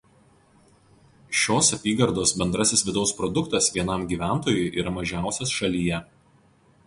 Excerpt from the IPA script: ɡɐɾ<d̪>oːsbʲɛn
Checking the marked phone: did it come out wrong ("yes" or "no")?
no